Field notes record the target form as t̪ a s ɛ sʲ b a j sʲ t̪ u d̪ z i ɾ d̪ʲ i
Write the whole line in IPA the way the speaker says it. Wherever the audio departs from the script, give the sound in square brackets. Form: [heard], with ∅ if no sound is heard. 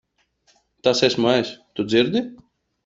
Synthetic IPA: t̪ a s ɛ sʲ [m] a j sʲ t̪ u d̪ z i ɾ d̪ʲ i